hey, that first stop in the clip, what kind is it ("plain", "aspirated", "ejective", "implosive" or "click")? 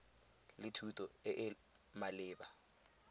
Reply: aspirated